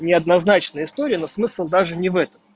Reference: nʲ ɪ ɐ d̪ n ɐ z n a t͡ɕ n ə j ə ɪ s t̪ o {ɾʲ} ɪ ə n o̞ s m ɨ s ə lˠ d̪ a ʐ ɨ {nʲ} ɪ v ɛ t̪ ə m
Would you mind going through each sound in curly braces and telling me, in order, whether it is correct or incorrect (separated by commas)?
correct, correct